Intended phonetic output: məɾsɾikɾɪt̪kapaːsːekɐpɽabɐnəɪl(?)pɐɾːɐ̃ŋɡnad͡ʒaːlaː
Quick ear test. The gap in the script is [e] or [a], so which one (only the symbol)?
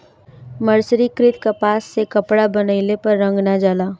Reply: e